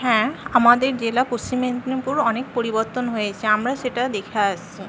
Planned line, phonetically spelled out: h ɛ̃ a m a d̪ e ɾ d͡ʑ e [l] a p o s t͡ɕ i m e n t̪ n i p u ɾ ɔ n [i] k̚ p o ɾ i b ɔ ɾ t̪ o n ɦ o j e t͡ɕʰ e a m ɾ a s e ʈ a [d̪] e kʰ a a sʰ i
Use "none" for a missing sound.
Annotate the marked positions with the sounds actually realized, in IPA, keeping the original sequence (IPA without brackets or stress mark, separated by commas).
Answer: l, e, d̪